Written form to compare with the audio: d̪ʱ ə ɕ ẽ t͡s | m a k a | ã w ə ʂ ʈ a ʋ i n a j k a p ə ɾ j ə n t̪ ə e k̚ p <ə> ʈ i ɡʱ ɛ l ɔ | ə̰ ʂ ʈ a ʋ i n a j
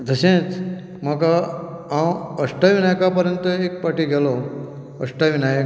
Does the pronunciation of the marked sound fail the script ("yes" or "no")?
yes